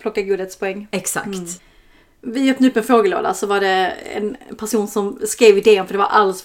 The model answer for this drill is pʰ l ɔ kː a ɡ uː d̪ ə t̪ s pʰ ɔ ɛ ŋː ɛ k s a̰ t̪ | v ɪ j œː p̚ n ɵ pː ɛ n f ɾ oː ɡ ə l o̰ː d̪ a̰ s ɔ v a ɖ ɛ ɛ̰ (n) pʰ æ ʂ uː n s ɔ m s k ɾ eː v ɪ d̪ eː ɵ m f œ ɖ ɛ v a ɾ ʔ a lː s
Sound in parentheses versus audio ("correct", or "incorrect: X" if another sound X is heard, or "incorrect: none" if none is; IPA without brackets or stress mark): correct